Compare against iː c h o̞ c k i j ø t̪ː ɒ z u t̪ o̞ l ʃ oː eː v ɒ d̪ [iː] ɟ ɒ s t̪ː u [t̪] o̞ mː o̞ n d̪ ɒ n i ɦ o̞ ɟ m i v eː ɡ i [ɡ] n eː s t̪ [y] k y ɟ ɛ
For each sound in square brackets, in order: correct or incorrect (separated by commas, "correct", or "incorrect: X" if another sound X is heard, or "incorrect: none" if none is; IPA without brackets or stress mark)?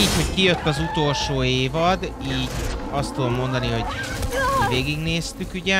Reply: correct, incorrect: d̪, correct, correct